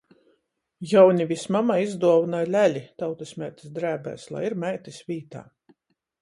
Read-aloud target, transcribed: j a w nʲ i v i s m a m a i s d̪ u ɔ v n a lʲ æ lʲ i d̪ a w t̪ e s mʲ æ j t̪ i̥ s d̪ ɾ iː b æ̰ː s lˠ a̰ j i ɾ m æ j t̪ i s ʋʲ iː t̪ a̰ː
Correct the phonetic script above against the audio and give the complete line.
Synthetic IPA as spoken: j a w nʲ i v i s m a m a i z d̪ u ɔ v n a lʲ æ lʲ i t̪ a w t̪ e s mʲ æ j t̪ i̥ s d̪ ɾ æː b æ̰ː s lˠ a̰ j i ɾ m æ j t̪ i s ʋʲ iː t̪ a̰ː